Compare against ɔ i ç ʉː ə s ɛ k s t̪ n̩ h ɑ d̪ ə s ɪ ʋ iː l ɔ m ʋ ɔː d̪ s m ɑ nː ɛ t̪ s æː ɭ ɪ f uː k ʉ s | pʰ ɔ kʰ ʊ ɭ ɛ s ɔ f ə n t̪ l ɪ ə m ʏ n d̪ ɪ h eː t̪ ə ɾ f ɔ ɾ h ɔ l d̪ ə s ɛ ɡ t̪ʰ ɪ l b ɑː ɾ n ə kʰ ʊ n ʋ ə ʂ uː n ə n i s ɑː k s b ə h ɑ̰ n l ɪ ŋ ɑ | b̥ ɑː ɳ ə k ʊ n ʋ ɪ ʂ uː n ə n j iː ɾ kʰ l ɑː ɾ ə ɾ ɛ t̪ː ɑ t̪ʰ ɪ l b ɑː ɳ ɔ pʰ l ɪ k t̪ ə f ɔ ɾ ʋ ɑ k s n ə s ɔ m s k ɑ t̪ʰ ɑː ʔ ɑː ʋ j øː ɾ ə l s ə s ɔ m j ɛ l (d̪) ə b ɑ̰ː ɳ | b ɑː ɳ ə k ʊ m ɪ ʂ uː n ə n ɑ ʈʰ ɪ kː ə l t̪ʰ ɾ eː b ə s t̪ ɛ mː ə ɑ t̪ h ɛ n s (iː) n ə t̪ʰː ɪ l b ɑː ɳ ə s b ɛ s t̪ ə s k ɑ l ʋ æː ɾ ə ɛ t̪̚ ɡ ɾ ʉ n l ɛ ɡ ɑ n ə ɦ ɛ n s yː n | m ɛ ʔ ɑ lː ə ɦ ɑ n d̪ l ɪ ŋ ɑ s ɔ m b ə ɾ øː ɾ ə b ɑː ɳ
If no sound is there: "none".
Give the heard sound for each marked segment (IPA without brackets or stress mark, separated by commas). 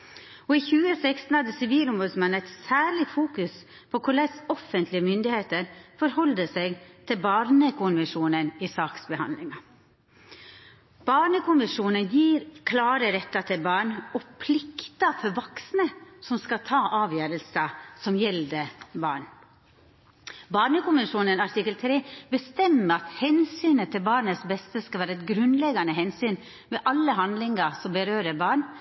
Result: d̪, yː